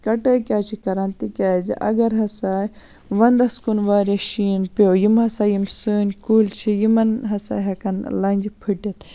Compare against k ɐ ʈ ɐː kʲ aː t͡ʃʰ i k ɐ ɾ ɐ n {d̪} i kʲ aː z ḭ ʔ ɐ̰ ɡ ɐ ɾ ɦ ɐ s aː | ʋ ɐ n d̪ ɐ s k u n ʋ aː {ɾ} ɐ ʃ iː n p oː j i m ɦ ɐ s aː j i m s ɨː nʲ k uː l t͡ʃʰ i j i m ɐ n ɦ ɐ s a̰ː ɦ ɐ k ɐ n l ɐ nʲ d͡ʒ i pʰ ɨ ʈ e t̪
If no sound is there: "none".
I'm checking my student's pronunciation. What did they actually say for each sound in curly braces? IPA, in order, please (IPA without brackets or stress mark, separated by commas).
t̪, ɾ